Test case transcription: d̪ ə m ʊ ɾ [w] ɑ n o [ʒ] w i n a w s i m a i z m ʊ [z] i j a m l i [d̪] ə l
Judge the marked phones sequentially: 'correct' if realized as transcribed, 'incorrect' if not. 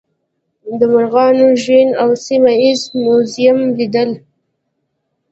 incorrect, correct, correct, correct

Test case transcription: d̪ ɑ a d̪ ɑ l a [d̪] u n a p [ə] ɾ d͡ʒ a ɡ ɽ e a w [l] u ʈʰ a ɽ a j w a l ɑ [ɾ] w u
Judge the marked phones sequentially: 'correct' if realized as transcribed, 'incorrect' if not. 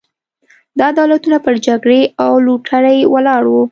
incorrect, correct, correct, incorrect

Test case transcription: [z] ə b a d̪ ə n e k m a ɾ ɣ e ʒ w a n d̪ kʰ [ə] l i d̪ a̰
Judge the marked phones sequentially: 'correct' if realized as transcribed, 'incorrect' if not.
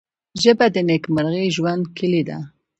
incorrect, correct

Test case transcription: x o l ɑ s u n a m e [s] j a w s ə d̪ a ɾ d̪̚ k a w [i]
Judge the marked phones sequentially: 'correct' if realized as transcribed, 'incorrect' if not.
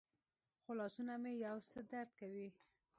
incorrect, correct

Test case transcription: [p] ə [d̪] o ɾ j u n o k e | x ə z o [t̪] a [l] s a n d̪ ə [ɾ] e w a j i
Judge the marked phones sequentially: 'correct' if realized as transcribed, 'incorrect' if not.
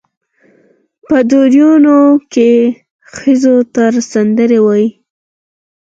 correct, correct, correct, incorrect, correct

